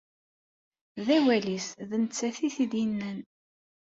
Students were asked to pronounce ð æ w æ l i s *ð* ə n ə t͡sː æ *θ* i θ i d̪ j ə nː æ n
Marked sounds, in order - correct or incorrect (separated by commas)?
correct, correct